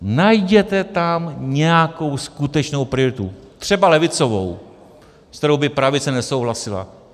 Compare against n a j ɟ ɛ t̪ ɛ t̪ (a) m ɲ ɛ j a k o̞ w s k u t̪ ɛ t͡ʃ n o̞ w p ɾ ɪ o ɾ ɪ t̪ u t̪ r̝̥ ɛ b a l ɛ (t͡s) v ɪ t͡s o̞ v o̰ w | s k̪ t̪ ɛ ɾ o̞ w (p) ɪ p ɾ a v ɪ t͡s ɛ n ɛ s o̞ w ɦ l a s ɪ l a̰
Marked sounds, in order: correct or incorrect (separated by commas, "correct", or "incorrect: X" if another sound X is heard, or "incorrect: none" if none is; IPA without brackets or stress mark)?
correct, incorrect: none, incorrect: b